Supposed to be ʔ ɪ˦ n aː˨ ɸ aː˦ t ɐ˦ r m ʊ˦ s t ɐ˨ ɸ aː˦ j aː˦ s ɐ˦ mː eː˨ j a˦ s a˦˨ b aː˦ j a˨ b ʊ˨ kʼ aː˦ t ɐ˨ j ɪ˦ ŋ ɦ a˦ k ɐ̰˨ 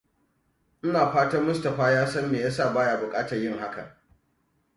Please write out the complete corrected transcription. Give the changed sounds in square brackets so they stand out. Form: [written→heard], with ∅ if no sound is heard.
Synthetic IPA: ʔ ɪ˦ n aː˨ ɸ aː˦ t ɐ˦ r m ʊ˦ s t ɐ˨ ɸ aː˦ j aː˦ s ɐ˦ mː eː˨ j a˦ s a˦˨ b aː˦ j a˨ b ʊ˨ kʼ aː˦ t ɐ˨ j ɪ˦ ŋ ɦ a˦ k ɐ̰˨

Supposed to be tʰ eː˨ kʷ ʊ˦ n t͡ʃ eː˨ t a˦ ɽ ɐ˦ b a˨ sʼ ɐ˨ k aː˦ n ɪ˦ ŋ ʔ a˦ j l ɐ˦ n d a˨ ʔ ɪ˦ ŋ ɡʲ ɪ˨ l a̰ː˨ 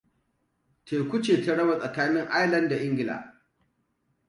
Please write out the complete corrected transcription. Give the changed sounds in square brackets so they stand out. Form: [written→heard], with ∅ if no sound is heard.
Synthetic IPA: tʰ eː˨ kʷ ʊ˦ [n→∅] t͡ʃ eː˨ t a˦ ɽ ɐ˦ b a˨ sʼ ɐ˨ k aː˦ n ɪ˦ ŋ ʔ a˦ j l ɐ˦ n d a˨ ʔ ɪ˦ ŋ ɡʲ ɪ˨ l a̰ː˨

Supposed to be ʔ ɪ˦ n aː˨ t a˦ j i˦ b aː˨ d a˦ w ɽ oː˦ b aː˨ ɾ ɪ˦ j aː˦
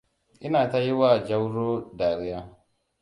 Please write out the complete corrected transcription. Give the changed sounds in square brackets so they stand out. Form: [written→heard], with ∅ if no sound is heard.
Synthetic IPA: ʔ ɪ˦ n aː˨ t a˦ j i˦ [b→w] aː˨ [d→d͡ʒ] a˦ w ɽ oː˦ [b→d] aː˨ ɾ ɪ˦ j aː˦

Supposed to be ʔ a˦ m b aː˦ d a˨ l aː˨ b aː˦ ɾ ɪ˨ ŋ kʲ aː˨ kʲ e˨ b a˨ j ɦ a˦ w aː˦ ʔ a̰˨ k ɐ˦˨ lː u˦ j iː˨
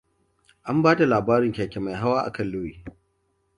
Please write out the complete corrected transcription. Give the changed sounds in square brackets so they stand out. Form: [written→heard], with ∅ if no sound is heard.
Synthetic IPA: ʔ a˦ m b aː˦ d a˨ l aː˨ b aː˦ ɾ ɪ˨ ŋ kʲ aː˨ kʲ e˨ [b→m] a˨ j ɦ a˦ w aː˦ ʔ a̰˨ k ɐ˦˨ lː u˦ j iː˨

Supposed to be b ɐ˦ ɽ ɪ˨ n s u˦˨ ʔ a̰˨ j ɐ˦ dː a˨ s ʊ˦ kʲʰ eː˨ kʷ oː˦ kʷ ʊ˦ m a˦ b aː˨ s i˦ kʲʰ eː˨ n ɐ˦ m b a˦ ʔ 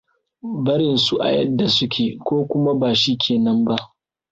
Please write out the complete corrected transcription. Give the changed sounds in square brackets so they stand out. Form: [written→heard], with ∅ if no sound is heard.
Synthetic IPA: b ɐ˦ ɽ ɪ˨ n s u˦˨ ʔ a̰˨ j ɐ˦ dː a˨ s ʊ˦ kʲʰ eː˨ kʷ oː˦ kʷ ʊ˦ m a˦ b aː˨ [s→ʃ] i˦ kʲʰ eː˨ n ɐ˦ m b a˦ ʔ

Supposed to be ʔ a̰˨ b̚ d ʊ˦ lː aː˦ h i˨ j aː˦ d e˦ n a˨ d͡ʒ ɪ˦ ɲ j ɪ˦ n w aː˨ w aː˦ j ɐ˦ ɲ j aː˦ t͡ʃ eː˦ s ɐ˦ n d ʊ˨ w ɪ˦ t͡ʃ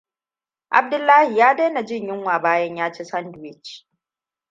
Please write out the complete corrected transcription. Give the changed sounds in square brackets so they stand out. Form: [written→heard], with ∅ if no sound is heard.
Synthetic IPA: ʔ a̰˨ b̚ d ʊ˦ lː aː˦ h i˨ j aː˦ d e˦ n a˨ d͡ʒ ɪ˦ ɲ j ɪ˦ [n→ŋ] w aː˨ [w→b] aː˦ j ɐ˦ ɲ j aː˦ t͡ʃ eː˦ s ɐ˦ n d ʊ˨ w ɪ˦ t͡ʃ

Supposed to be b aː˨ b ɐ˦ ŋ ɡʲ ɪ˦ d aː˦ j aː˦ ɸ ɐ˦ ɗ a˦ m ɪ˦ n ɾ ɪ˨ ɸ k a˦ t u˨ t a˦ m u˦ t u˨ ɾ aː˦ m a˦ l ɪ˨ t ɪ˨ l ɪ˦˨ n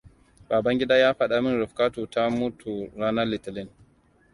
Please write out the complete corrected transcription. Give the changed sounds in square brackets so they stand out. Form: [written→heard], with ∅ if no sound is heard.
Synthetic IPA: b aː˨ b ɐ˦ ŋ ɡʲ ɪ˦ d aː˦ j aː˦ ɸ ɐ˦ ɗ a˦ m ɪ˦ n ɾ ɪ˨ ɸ k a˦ t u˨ t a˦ m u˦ t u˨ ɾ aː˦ [m→n] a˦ l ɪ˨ t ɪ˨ l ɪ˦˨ n

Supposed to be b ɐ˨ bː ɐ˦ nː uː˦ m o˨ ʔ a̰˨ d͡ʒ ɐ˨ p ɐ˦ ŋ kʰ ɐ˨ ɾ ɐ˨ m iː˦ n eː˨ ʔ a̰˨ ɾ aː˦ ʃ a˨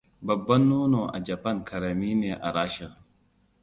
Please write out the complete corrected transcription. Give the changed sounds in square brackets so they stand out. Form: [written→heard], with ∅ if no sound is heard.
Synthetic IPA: b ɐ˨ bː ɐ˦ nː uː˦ [m→n] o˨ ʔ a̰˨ d͡ʒ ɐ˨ p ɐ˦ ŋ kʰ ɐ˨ ɾ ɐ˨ m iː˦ n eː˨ ʔ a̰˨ ɾ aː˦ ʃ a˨

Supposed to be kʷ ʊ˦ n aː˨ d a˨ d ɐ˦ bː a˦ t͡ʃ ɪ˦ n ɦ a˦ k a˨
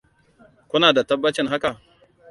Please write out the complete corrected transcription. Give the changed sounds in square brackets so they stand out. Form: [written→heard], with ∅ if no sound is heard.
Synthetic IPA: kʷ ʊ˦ n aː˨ d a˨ [d→t] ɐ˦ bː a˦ t͡ʃ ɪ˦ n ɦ a˦ k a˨

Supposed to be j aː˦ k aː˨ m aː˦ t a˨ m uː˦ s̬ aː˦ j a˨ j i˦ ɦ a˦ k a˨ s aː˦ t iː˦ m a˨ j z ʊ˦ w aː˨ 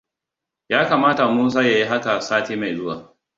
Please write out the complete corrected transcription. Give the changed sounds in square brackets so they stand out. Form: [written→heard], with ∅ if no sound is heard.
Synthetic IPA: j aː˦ k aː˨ m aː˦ t a˨ m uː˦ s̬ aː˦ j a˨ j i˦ ɦ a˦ k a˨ s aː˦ t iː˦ m a˨ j z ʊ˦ w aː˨

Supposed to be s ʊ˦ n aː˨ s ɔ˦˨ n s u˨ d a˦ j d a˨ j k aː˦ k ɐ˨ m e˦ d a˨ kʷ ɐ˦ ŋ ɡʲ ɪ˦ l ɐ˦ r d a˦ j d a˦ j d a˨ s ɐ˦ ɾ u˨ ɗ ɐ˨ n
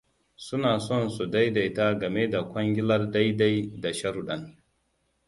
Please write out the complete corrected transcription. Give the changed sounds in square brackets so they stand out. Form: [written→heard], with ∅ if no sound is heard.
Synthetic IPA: s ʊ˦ n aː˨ s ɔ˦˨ n s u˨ d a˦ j d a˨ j [k→t] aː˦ [k→ɡ] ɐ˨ m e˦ d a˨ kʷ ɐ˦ ŋ ɡʲ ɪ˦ l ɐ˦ r d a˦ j d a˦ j d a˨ [s→ʃ] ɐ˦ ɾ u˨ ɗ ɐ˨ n

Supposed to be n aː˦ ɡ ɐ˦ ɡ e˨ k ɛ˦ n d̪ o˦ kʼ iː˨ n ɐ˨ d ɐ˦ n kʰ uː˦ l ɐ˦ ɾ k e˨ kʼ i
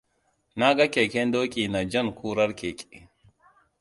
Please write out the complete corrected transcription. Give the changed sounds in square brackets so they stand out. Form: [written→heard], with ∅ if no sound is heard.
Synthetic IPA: n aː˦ ɡ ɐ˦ [ɡ→k] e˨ k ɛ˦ n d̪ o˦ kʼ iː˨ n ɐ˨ [d→d͡ʒ] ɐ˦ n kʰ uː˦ [l→ɾ] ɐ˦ ɾ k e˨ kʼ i

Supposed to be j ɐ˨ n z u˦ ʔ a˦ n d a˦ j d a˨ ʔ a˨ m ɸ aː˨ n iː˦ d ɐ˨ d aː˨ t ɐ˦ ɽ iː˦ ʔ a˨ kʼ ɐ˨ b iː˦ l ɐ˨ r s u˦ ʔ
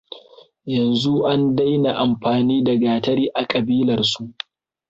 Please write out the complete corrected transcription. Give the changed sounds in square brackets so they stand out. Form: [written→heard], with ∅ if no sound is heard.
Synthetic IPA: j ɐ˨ n z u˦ ʔ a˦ n d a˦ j [d→n] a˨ ʔ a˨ m ɸ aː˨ n iː˦ d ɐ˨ [d→ɡ] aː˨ t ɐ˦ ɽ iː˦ ʔ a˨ kʼ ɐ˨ b iː˦ l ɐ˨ r s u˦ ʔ

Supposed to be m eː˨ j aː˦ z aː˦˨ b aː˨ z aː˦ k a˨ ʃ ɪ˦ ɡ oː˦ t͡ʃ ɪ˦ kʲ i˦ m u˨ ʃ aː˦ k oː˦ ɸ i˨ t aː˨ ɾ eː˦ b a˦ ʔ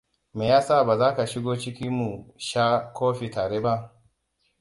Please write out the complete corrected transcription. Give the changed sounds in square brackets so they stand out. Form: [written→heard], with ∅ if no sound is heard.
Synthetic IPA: m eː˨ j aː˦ [z→s] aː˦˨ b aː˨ z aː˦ k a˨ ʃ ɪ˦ ɡ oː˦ t͡ʃ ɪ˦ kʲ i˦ m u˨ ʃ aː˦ k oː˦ ɸ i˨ t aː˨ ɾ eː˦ b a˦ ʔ

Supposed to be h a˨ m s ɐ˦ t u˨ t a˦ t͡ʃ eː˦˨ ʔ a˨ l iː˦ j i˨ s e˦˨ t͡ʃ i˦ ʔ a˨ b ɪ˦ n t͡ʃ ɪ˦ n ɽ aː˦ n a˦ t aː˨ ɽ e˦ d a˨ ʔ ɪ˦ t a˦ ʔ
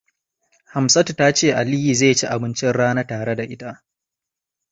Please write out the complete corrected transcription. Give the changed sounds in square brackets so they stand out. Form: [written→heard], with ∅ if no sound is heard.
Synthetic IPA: h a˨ m s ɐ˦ t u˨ t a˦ t͡ʃ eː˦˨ ʔ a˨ l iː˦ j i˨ [s→z] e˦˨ t͡ʃ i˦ ʔ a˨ b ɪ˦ n t͡ʃ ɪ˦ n ɽ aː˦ n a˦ t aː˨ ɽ e˦ d a˨ ʔ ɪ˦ t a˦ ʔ

